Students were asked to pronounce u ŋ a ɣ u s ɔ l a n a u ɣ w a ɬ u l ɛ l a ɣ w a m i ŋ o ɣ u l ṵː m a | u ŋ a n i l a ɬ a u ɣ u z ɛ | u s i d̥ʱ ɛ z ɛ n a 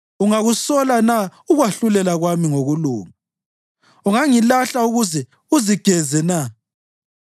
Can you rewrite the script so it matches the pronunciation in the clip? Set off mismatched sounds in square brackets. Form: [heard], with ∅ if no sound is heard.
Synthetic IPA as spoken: u ŋ a ɣ u s ɔ l a n a u ɣ w a ɬ u l ɛ l a ɣ w a m i ŋ o ɣ u l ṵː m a | u ŋ a [ŋ] i l a ɬ a u ɣ u z ɛ | u [z] i [ɡ̥ʱ] ɛ z ɛ n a

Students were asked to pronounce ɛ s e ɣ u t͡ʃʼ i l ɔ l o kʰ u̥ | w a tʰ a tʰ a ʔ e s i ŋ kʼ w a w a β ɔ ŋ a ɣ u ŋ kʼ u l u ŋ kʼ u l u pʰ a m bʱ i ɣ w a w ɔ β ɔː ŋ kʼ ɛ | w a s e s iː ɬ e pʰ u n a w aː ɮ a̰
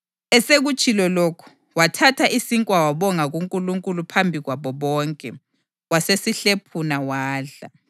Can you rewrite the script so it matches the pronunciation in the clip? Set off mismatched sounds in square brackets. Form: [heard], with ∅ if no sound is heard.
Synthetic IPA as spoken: ɛ s e ɣ u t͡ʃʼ i l ɔ l o kʰ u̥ | w a tʰ a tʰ a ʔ [i] s i ŋ kʼ w a w a β ɔ ŋ a ɣ u ŋ kʼ u l u ŋ kʼ u l u pʰ a m bʱ i ɣ w a [β] ɔ β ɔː ŋ kʼ ɛ | w a s e s [i] ɬ e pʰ u n a w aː ɮ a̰

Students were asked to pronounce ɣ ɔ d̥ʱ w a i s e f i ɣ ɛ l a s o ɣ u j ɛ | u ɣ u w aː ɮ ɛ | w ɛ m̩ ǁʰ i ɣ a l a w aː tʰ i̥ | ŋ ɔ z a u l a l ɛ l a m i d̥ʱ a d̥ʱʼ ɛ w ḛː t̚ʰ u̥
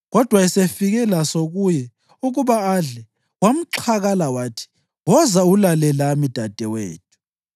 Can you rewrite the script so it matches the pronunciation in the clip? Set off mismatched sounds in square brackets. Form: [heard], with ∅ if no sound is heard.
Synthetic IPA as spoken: ɣ ɔ d̥ʱ w a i s e f i ɣ ɛ l a s o ɣ u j ɛ | u ɣ u [β] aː ɮ ɛ | w [a] m̩ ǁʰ [a] ɣ a l a w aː tʰ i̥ | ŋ ɔ z a u l a l ɛ l a m i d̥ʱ a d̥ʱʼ ɛ w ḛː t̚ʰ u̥

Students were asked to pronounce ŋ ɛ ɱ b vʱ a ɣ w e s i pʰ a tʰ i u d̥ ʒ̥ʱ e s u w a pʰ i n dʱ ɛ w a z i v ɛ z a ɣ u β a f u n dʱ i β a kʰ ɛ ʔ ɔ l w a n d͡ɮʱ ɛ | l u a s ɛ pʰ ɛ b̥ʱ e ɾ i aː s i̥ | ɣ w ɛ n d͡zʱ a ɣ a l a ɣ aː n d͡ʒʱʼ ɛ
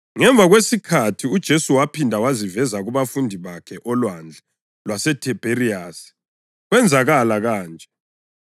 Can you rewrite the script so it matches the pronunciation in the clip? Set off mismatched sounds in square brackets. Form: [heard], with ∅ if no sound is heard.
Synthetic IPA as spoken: ŋ ɛ ɱ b vʱ a ɣ w e s i [kʰ] a tʰ i u d̥ ʒ̥ʱ e s u w a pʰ i n dʱ [a] w a z i v ɛ z a ɣ u β a f u n dʱ i β a kʰ ɛ ʔ ɔ l w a n d͡ɮʱ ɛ | l [w] a s ɛ [tʰ] ɛ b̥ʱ e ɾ i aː s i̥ | ɣ w ɛ n d͡zʱ a ɣ a l a ɣ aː n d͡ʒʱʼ ɛ

